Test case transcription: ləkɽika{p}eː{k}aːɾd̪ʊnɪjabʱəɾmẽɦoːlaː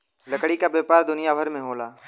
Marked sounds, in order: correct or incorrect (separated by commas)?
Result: incorrect, incorrect